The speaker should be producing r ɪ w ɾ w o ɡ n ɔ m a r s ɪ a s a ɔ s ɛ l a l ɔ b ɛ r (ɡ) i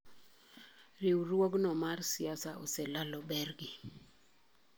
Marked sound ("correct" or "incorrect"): correct